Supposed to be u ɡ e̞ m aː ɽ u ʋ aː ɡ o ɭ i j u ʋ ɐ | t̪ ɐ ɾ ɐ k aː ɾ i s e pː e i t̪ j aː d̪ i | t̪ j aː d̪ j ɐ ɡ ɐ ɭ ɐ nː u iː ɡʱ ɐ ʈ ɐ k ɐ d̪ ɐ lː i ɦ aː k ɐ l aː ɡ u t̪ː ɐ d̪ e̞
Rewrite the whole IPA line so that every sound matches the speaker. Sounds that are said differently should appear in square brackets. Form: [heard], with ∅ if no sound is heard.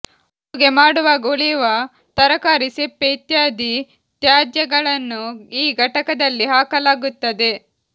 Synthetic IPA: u ɡ e̞ m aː ɽ u ʋ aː ɡ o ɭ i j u ʋ ɐ | t̪ ɐ ɾ ɐ k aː ɾ i s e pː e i t̪ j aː d̪ i | t̪ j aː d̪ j ɐ ɡ ɐ ɭ ɐ nː u iː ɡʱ ɐ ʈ ɐ k ɐ d̪ ɐ lː i ɦ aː k ɐ l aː ɡ u t̪ː ɐ d̪ e̞

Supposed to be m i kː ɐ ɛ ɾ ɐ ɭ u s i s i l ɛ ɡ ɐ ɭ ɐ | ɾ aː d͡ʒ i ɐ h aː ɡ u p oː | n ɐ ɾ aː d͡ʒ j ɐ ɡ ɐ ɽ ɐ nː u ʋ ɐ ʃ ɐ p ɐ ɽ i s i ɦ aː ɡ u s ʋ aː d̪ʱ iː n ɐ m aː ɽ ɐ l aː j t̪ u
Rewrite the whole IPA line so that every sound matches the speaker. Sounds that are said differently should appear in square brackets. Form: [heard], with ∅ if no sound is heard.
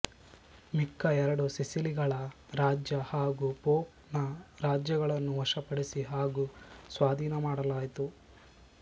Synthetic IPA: m i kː ɐ ɛ ɾ ɐ [ɽ] u s i s i l [i] ɡ ɐ ɭ ɐ | ɾ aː d͡ʒ [j] ɐ h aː ɡ u p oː | n ɐ ɾ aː d͡ʒ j ɐ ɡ ɐ [ɭ] ɐ nː u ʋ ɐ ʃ ɐ p ɐ ɽ i s i ɦ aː ɡ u s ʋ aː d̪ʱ iː n ɐ m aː ɽ ɐ l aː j t̪ u

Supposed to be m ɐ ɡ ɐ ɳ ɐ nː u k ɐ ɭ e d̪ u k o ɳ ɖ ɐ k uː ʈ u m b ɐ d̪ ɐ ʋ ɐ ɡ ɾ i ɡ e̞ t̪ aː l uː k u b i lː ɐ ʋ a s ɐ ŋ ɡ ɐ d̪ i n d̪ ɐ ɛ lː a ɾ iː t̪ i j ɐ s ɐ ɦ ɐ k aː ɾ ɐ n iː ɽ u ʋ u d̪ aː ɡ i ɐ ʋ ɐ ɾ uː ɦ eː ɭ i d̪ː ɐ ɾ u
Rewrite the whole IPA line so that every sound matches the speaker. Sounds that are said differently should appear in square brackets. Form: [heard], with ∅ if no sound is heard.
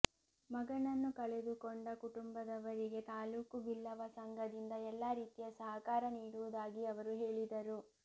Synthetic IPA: m ɐ ɡ ɐ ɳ ɐ nː u k ɐ ɭ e d̪ u k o ɳ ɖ ɐ k [u] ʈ u m b ɐ d̪ ɐ ʋ ɐ [∅] ɾ i ɡ e̞ t̪ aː l uː k u b i lː ɐ ʋ [ɐ] s ɐ ŋ ɡ ɐ d̪ i n d̪ ɐ ɛ lː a ɾ iː t̪ i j ɐ s ɐ ɦ ɐ k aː ɾ ɐ n iː ɽ u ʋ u d̪ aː ɡ i ɐ ʋ ɐ ɾ [u] ɦ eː ɭ i [d̪] ɐ ɾ u

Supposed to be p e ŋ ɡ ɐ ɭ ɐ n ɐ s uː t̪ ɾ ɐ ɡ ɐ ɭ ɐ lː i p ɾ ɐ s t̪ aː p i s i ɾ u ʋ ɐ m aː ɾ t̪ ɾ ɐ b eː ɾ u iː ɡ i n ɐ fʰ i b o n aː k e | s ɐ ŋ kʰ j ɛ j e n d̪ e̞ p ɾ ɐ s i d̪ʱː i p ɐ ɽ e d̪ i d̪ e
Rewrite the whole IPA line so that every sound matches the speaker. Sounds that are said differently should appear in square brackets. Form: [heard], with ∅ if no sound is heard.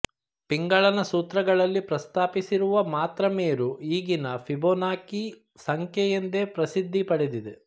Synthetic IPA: p [i] ŋ ɡ ɐ ɭ ɐ n ɐ s uː t̪ ɾ ɐ ɡ ɐ ɭ ɐ lː i p ɾ ɐ s t̪ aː p i s i ɾ u ʋ ɐ m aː [∅] t̪ ɾ ɐ [m] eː ɾ u iː ɡ i n ɐ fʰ i b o n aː k [i] | s ɐ ŋ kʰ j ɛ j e n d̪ e̞ p ɾ ɐ s i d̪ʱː i p ɐ ɽ e d̪ i d̪ e

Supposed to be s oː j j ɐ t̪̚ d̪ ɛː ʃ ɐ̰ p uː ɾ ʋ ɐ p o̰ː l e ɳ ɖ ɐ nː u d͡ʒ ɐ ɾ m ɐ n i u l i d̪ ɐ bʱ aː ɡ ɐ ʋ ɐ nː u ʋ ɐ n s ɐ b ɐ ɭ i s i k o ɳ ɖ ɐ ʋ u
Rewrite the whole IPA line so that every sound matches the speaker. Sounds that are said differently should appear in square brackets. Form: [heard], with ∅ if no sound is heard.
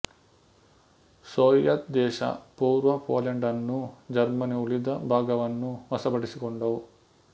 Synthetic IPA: s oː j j ɐ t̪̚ d̪ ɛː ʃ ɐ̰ p uː ɾ ʋ ɐ p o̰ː l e ɳ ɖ ɐ nː u d͡ʒ ɐ ɾ m ɐ n i u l i d̪ ɐ bʱ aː ɡ ɐ ʋ ɐ nː u ʋ ɐ [∅] s ɐ b ɐ [ɽ] i s i k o ɳ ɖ ɐ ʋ u

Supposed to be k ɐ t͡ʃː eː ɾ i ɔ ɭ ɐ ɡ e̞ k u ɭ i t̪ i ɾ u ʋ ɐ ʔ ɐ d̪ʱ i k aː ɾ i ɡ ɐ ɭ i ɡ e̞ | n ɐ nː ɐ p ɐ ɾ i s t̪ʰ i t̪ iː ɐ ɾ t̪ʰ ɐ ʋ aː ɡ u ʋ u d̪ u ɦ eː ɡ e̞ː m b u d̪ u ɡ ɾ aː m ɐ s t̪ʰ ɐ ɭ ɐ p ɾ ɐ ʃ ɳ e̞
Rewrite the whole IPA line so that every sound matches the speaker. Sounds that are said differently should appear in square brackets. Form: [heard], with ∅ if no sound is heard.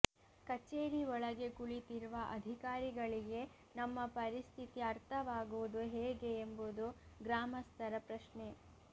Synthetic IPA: k ɐ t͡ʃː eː ɾ i ɔ ɭ ɐ ɡ e̞ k u ɭ i t̪ i ɾ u ʋ ɐ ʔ ɐ d̪ʱ i k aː ɾ i ɡ ɐ ɭ i ɡ e̞ | n ɐ [mː] ɐ p ɐ ɾ i s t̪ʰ i t̪ [i] ɐ ɾ t̪ʰ ɐ ʋ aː ɡ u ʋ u d̪ u ɦ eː ɡ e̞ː m b u d̪ u ɡ ɾ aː m ɐ s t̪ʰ ɐ [ɾ] ɐ p ɾ ɐ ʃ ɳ e̞

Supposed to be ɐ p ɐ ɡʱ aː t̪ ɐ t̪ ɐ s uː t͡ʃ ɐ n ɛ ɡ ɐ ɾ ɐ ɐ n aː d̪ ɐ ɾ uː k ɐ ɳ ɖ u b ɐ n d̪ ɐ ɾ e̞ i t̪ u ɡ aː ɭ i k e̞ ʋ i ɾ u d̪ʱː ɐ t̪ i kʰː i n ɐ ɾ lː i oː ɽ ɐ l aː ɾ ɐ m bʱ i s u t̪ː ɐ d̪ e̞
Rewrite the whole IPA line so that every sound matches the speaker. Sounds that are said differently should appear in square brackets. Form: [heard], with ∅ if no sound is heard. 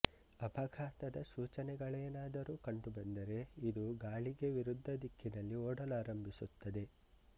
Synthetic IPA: ɐ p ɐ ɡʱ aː t̪ ɐ [d̪] ɐ s uː t͡ʃ ɐ n ɛ ɡ ɐ [ɭ] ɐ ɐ n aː d̪ ɐ ɾ uː k ɐ ɳ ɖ u b ɐ n d̪ ɐ ɾ e̞ i [d̪] u ɡ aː ɭ i [ɡ] e̞ ʋ i ɾ u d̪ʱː ɐ [d̪] i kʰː i n ɐ [∅] lː i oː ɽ ɐ l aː ɾ ɐ m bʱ i s u t̪ː ɐ d̪ e̞

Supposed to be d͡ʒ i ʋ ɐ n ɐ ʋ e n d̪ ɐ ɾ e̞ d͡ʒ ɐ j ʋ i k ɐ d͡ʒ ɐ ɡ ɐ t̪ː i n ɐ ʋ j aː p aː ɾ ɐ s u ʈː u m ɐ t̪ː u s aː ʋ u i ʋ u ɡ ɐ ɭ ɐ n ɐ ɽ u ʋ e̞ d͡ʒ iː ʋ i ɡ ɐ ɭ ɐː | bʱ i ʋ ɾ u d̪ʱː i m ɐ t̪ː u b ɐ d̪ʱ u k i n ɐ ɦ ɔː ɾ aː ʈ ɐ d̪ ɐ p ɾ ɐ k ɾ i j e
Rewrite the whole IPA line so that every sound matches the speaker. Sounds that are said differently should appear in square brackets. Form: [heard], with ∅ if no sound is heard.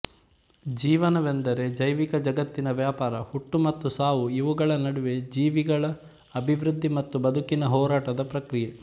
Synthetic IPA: d͡ʒ [iː] ʋ ɐ n ɐ ʋ e n d̪ ɐ ɾ e̞ d͡ʒ ɐ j ʋ i k ɐ d͡ʒ ɐ ɡ ɐ t̪ː i n ɐ ʋ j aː p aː ɾ ɐ [h] u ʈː u m ɐ t̪ː u s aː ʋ u i ʋ u ɡ ɐ ɭ ɐ n ɐ ɽ u ʋ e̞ d͡ʒ iː ʋ i ɡ ɐ ɭ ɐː | bʱ i ʋ ɾ u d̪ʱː i m ɐ t̪ː u b ɐ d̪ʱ u k i n ɐ ɦ ɔː ɾ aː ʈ ɐ d̪ ɐ p ɾ ɐ k ɾ i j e

